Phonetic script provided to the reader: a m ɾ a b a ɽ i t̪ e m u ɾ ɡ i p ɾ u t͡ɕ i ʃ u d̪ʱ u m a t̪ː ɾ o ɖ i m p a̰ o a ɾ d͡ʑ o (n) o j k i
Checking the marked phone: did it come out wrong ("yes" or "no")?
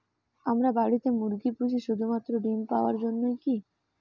yes